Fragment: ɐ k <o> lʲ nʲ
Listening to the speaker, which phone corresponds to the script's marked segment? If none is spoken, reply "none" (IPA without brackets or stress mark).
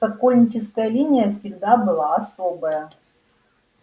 o